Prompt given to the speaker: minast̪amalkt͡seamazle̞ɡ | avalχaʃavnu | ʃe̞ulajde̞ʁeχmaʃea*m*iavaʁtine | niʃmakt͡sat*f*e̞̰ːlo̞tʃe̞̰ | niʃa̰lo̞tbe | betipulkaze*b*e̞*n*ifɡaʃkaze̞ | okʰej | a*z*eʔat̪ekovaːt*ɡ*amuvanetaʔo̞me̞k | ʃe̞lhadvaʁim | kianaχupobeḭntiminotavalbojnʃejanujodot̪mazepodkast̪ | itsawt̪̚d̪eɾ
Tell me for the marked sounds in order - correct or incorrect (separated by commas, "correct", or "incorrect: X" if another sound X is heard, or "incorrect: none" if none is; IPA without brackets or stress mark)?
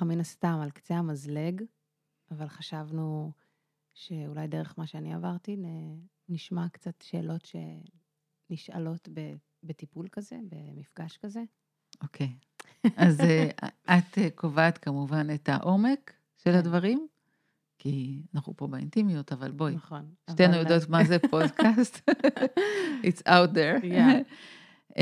incorrect: n, incorrect: ʃ, correct, incorrect: m, correct, incorrect: k